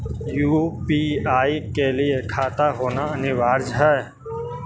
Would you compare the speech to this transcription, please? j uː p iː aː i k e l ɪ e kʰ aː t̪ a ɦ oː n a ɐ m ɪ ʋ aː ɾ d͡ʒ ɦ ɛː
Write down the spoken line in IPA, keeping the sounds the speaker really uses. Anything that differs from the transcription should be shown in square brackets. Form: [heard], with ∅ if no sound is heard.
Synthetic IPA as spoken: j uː p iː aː i k e l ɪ e kʰ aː t̪ a ɦ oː n a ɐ [n] ɪ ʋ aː ɾ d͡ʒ ɦ ɛː